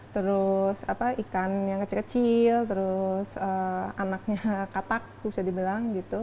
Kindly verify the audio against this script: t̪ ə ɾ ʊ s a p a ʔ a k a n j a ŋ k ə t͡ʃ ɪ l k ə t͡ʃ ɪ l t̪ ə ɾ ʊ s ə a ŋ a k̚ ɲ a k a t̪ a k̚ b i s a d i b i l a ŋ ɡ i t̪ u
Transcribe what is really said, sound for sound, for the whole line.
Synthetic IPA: t̪ ə ɾ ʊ s a p a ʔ i k a n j a ŋ k ə t͡ʃ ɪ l k ə t͡ʃ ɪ l t̪ ə ɾ ʊ s ə a n a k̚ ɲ a k a t̪ a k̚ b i s a d i b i l a ŋ ɡ i t̪ u